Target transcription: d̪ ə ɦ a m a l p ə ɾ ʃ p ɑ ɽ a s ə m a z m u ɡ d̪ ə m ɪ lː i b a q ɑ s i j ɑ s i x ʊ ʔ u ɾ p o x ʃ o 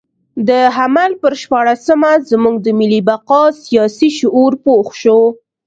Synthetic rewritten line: d̪ ə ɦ a m a l p ə ɾ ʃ p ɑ ɽ a s ə m a z m u ɡ d̪ ə m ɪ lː i b a q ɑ s i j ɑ s i ʃ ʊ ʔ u ɾ p o x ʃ o

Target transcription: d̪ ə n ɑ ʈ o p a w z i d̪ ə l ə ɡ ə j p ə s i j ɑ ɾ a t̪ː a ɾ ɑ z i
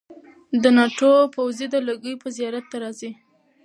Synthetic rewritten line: d̪ ə n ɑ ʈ o p a w z i d̪ ə l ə ɡ ə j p ə z i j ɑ ɾ a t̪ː a ɾ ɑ z i

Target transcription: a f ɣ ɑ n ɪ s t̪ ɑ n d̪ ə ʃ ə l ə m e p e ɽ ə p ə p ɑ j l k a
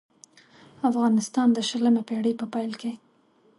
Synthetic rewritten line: a f ɣ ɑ n ɪ s t̪ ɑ n d̪ ə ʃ ə l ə m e p e ɽ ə p ə p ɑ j l k e

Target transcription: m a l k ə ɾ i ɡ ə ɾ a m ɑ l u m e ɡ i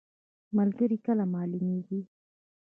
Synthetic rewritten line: m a l ɡ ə ɾ i k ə l a m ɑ l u m e ɡ i

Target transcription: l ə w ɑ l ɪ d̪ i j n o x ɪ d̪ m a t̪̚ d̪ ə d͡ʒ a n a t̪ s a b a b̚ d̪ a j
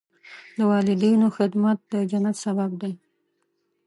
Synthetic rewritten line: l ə w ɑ l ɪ d̪ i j n o x ɪ d̪ m a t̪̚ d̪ ə d͡ʒ a n a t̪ s a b a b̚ d̪ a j

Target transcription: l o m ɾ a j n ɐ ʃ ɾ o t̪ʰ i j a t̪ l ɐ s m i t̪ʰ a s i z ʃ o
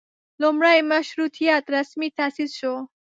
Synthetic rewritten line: l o m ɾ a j m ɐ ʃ ɾ u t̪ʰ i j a t̪ ɾ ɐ s m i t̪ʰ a s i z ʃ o

